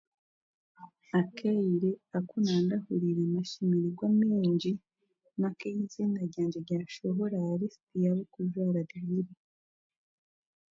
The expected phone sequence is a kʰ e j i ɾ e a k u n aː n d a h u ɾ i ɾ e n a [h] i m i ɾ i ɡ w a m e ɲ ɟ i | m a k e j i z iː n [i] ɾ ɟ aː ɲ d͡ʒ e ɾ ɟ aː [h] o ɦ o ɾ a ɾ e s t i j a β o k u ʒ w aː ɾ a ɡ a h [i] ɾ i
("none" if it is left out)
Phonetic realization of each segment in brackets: ʃ, a, ʃ, i

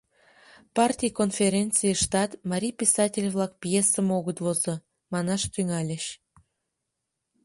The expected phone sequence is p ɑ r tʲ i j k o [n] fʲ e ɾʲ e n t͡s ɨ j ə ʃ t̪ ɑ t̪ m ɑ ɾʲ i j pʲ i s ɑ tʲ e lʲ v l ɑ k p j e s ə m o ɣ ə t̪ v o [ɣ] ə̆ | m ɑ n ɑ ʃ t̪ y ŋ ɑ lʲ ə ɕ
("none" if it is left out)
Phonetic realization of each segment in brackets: n, z

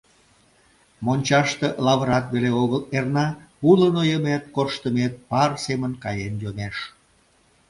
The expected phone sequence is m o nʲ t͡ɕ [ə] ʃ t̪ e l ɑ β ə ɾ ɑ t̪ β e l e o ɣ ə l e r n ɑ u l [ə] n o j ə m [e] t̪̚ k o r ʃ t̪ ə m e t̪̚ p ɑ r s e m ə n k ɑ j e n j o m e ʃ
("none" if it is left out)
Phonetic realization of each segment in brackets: ɑ, ə, e

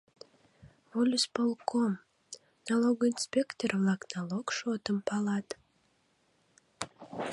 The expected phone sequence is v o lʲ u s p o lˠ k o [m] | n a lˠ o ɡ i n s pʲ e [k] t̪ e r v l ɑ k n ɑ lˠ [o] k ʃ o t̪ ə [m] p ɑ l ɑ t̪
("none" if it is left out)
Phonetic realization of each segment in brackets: m, k, o, m

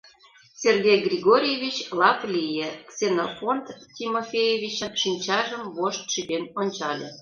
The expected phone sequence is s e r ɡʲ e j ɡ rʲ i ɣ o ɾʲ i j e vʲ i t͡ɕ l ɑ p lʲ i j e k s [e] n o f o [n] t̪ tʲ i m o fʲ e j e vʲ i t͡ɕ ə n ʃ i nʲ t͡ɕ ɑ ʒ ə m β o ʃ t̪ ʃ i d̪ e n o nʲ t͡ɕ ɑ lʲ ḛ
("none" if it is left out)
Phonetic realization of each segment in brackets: e, n

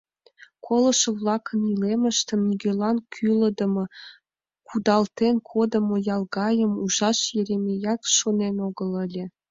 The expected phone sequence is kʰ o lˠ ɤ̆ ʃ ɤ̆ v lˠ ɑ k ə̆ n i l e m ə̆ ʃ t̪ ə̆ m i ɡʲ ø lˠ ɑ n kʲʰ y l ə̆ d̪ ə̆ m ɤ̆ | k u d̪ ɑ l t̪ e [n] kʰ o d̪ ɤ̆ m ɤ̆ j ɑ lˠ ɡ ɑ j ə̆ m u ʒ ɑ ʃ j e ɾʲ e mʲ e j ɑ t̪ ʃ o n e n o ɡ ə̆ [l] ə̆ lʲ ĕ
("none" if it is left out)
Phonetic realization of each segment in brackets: n, l

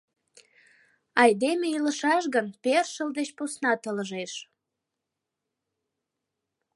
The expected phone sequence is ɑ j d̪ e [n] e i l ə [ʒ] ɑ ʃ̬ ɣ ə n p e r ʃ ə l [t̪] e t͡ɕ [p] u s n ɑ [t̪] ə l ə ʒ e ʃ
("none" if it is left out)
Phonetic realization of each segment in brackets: m, ʃ, d̪, p, t̪

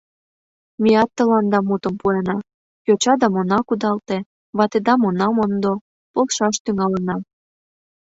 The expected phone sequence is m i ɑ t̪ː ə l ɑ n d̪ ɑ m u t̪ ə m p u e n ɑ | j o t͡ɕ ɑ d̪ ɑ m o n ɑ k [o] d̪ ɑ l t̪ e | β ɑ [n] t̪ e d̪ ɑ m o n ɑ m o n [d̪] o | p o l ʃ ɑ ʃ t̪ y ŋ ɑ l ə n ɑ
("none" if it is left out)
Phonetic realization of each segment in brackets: u, none, d̪

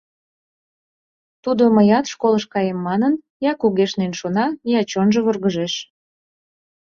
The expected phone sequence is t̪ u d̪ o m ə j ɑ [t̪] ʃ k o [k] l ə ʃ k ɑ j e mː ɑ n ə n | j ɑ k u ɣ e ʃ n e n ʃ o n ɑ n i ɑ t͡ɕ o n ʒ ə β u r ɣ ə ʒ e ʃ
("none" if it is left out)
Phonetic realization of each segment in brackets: t̪, none

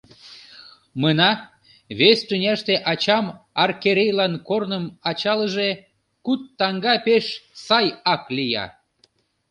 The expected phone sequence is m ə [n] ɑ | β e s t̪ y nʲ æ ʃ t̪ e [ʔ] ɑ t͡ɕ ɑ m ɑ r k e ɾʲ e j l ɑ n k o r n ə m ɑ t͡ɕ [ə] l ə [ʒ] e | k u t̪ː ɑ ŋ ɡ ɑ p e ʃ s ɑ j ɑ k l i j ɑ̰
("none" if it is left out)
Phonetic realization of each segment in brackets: n, ʔ, ɑ, ʒ

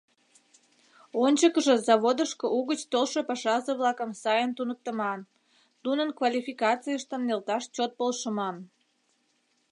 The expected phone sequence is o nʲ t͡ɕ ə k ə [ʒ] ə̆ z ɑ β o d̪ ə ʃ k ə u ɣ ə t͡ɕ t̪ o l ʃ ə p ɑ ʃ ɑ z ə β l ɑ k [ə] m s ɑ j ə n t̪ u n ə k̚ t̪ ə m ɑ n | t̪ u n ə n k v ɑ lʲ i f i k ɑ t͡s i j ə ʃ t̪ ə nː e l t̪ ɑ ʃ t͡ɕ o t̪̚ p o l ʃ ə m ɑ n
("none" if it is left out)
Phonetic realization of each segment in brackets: ʒ, ə

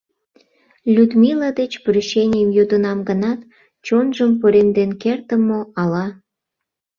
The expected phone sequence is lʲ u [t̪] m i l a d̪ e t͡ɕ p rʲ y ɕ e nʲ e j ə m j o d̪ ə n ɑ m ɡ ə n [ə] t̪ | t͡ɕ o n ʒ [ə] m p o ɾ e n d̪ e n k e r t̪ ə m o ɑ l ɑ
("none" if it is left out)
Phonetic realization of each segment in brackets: d̪, ɑ, ə

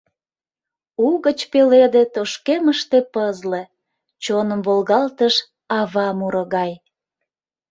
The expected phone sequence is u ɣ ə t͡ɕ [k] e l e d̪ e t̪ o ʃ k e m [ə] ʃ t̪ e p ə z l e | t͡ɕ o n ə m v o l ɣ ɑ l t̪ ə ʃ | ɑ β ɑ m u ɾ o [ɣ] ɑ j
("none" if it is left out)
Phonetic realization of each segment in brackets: p, ə, ɣ

